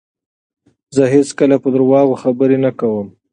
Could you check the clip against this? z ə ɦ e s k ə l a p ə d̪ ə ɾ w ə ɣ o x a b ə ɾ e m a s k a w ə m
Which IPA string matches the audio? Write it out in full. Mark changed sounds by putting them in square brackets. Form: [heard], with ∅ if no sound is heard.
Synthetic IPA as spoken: z ə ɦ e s k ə l a p ə d̪ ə ɾ w [ɑ] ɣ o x a b ə ɾ e [n] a [∅] k a w ə m